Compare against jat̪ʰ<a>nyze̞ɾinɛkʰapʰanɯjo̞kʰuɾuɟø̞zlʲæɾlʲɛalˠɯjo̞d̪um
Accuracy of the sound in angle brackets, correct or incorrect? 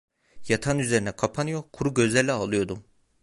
correct